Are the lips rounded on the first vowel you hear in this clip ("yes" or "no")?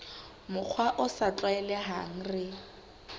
yes